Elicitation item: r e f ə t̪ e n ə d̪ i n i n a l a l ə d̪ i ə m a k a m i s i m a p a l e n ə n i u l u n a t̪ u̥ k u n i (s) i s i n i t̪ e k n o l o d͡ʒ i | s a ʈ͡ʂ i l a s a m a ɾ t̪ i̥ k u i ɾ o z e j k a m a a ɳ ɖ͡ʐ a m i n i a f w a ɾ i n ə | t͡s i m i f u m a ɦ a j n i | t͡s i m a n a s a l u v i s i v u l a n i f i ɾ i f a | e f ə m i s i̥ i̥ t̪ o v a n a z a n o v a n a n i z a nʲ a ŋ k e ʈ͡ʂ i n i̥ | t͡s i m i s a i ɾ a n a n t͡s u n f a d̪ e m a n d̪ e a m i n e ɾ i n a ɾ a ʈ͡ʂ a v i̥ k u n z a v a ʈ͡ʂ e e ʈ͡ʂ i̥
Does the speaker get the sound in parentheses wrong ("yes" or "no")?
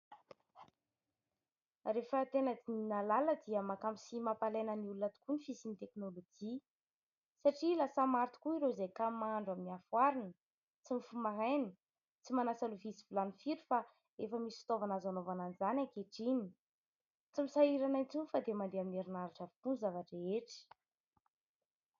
yes